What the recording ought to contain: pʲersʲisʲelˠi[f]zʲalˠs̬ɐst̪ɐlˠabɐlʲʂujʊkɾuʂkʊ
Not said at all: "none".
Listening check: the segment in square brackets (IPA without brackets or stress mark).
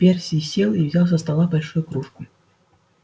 v